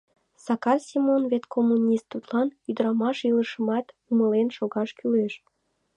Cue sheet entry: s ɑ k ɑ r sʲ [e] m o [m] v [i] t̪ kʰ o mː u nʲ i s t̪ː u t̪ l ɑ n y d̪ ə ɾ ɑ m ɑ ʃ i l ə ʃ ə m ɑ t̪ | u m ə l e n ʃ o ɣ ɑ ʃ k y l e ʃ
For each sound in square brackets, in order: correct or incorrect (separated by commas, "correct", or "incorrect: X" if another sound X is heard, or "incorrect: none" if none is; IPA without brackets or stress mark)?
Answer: incorrect: i, incorrect: n, incorrect: e